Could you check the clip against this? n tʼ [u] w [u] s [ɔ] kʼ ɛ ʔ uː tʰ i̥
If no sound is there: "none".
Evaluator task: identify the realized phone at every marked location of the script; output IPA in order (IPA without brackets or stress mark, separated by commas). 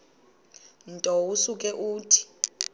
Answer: ɔ, u, u